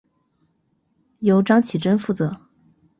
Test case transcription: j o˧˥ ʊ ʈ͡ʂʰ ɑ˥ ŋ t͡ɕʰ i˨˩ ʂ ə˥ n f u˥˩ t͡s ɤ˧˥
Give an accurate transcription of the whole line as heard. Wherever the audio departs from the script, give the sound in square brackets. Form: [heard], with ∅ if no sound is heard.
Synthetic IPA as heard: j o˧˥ ʊ [ʈ͡ʂ] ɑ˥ ŋ t͡ɕʰ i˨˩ [ʈ͡ʂ] ə˥ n f u˥˩ t͡s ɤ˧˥